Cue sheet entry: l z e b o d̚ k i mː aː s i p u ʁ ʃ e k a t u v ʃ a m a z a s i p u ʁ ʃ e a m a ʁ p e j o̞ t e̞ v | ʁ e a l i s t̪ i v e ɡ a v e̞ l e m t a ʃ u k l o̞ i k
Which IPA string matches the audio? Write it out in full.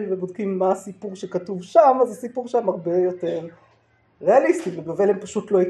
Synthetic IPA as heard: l v e b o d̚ k i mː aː s i p u ʁ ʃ e k a t u v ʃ a m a z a s i p u ʁ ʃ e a m a ʁ b e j o̞ t e̞ ʁ | ʁ e a l i s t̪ i v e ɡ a v e̞ l e m p a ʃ u t l o̞ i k